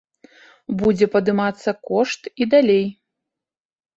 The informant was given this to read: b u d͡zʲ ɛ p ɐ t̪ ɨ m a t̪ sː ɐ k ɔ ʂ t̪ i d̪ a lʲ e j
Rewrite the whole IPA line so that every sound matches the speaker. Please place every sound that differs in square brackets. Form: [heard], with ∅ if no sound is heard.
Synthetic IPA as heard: b u d͡zʲ ɛ p ɐ [d̪] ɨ m a t̪ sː ɐ k ɔ ʂ t̪ i d̪ a lʲ e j